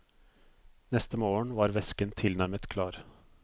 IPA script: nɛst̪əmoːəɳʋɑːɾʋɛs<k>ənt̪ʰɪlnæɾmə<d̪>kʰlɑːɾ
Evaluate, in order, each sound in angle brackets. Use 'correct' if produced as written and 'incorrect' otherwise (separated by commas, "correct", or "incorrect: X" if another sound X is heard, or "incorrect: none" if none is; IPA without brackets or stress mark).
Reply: correct, incorrect: t̪